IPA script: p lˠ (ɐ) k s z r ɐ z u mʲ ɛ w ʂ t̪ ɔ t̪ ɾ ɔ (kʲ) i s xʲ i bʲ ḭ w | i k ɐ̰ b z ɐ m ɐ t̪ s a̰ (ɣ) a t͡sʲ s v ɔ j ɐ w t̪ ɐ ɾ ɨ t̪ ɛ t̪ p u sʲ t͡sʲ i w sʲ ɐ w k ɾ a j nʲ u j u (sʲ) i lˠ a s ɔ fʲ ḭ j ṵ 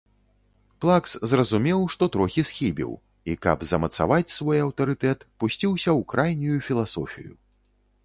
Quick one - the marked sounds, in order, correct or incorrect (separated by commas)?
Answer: incorrect, incorrect, incorrect, incorrect